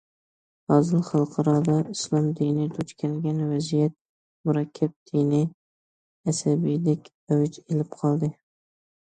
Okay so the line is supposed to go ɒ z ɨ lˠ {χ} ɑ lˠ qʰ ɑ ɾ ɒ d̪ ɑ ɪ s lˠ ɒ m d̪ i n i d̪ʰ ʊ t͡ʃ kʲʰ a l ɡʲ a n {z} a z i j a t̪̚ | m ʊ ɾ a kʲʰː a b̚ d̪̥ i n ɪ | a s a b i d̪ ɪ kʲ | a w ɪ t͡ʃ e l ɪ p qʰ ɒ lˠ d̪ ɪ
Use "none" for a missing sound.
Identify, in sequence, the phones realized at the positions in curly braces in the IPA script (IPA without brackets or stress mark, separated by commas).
χ, v